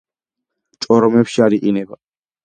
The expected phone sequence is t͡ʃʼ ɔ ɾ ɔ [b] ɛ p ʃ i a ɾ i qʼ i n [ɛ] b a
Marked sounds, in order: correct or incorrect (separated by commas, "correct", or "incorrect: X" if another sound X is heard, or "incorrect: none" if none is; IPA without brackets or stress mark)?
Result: incorrect: m, correct